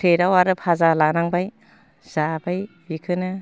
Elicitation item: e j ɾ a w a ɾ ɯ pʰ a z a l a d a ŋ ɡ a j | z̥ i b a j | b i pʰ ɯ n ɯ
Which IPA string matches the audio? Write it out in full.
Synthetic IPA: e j ɾ a w a ɾ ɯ pʰ a z a l a n a ŋ b a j | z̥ a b a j | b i kʰ ɯ n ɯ